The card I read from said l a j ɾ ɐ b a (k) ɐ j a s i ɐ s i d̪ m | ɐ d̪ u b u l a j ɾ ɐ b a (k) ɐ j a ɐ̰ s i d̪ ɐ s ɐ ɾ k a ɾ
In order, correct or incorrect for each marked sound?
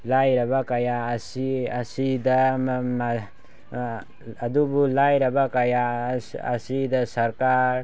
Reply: correct, correct

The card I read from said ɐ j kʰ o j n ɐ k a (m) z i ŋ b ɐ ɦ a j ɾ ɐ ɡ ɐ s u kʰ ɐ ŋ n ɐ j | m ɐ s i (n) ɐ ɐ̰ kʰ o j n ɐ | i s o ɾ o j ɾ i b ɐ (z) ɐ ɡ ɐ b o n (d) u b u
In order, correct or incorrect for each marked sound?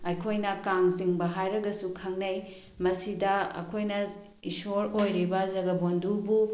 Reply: incorrect: ŋ, incorrect: d, correct, correct

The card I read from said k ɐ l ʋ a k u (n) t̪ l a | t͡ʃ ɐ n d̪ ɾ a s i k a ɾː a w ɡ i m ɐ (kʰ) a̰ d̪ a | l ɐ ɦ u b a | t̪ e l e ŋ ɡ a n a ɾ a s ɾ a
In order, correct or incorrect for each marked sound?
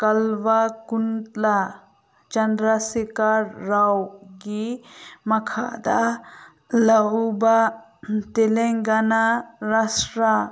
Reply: correct, correct

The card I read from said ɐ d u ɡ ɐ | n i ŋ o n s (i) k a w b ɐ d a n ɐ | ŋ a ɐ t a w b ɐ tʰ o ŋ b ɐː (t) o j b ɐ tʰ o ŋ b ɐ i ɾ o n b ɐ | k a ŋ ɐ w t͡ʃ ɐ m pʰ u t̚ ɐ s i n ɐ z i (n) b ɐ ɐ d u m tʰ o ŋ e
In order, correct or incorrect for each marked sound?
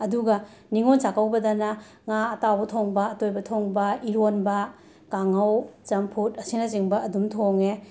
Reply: incorrect: a, correct, incorrect: ŋ

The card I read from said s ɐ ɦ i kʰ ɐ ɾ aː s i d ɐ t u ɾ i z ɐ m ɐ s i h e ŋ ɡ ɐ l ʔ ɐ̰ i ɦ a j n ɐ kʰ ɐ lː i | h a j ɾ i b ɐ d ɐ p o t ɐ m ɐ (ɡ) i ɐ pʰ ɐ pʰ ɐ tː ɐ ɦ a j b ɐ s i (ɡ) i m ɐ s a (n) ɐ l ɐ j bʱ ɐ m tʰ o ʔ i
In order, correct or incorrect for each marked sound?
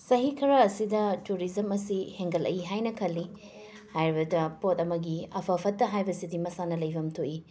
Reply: correct, incorrect: d, correct

